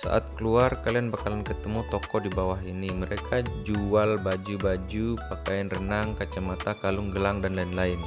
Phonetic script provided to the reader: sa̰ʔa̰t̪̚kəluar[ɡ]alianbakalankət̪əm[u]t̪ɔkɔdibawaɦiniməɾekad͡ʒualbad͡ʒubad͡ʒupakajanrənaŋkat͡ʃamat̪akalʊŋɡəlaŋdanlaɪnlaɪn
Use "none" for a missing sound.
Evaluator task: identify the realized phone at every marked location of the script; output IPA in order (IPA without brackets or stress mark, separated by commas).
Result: k, u